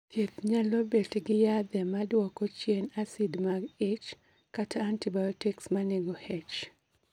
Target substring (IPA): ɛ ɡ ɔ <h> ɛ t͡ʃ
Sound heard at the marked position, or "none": h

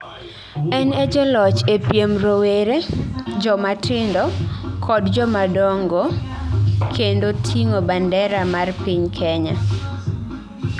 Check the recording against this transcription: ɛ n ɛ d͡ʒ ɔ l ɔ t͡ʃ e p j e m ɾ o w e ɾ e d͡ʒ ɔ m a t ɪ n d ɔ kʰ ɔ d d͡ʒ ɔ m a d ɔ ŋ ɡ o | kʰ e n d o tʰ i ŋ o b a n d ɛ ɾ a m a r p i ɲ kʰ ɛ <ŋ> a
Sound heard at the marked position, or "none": ɲ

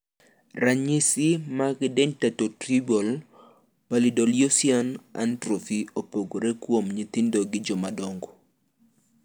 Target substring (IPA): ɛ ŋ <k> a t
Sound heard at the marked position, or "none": t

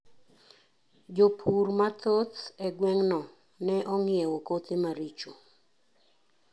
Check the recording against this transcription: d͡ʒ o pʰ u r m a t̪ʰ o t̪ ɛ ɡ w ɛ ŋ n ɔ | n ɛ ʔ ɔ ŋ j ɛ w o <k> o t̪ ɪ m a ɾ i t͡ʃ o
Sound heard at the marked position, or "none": k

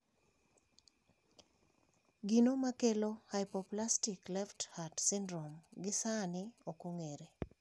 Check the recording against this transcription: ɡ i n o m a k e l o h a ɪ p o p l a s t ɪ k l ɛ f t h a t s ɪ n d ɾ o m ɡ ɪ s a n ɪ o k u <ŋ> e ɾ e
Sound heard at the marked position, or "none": ŋ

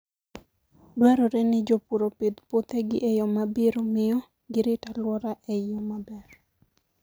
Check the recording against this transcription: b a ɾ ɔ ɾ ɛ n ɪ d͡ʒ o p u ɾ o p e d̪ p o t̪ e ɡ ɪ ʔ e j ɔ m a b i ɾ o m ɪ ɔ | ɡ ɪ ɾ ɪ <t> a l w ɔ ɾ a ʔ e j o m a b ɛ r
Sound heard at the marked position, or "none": t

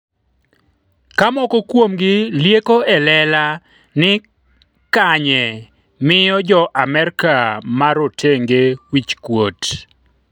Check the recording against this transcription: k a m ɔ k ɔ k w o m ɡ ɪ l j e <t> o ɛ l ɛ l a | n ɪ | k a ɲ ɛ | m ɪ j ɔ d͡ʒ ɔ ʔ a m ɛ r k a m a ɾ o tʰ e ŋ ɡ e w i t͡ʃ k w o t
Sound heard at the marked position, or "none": k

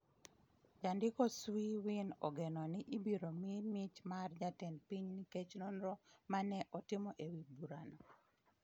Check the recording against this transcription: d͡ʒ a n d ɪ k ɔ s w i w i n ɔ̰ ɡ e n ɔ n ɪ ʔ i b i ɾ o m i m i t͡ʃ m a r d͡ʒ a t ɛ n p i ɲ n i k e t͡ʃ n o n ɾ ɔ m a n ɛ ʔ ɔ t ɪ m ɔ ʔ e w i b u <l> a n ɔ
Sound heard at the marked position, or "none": ɾ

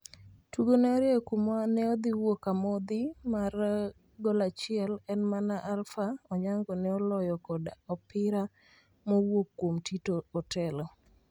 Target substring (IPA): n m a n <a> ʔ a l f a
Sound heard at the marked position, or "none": a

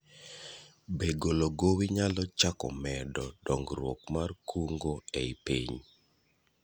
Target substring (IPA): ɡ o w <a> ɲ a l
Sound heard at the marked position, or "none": i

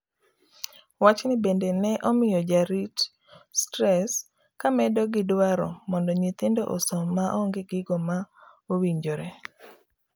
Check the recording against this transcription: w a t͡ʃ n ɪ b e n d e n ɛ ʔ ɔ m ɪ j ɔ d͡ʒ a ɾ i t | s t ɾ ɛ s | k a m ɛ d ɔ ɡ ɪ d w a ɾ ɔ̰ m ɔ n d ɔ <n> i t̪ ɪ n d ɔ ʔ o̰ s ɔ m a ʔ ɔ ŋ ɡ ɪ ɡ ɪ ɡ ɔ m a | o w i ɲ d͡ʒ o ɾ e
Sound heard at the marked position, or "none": ɲ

